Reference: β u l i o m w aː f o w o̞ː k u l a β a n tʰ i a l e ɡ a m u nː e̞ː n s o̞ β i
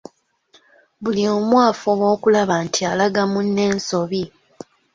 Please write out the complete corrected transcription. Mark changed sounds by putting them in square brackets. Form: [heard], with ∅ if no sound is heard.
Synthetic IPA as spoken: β u l i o m w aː f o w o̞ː k u l a β a n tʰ i a l [a] ɡ a m u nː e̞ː n s o̞ β i